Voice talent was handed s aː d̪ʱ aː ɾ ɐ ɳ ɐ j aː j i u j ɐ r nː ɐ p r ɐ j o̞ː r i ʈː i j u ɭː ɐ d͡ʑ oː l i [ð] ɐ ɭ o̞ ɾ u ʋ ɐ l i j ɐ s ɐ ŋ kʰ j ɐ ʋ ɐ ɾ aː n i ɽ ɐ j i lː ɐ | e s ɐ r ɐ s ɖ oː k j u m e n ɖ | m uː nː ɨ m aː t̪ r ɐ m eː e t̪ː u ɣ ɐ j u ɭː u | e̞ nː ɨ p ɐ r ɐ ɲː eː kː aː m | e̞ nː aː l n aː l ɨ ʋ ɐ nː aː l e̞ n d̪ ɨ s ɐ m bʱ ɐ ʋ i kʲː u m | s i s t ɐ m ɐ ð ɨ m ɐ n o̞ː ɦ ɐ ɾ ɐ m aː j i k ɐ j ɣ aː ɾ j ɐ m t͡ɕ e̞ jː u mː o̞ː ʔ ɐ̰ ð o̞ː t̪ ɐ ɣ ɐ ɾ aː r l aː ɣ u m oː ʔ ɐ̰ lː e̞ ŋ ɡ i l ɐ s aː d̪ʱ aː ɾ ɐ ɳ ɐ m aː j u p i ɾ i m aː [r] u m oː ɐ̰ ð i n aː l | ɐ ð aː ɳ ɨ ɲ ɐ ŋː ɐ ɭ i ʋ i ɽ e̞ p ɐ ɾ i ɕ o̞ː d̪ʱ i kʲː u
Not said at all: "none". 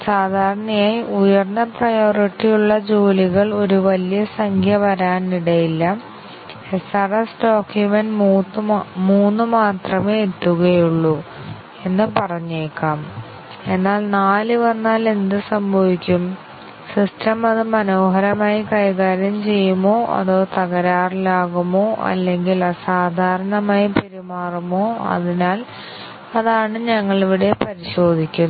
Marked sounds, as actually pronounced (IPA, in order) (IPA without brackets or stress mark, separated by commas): ɣ, r